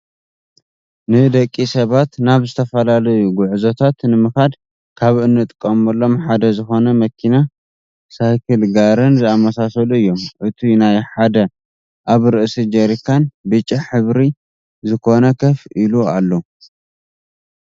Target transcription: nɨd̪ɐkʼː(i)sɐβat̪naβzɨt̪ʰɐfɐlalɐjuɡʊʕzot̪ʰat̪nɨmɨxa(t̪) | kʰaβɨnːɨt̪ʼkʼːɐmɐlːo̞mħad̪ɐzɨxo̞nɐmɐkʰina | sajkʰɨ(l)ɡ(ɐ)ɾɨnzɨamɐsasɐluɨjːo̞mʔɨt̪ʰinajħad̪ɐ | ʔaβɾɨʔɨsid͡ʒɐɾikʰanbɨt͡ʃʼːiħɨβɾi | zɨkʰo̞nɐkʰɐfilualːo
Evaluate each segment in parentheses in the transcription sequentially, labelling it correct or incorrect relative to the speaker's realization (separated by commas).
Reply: correct, incorrect, correct, incorrect